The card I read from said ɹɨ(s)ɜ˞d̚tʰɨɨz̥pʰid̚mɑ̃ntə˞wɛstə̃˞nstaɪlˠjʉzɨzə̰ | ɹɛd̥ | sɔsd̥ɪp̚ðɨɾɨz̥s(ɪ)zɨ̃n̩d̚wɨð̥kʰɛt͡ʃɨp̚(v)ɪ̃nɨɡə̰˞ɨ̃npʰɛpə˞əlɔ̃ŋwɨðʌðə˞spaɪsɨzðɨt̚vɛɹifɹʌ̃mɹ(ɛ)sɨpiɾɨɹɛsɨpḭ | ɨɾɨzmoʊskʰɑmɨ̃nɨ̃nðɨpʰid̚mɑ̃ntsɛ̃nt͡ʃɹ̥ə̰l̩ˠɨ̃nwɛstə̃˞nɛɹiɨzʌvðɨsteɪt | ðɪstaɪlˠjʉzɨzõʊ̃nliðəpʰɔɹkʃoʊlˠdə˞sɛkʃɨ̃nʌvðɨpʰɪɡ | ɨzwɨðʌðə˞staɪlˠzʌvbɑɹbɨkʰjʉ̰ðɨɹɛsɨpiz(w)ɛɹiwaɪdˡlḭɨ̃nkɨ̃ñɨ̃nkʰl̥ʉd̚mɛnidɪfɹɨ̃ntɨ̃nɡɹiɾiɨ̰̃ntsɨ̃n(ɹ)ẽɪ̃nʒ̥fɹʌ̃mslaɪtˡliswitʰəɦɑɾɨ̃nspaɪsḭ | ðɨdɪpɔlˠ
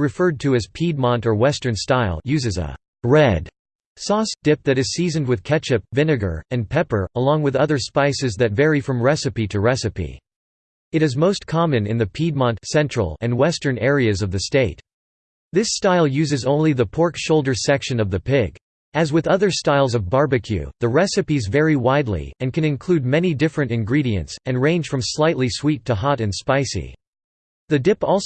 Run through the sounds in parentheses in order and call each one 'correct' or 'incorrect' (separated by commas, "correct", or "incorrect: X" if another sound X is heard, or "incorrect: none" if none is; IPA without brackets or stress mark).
incorrect: f, incorrect: i, correct, correct, incorrect: v, correct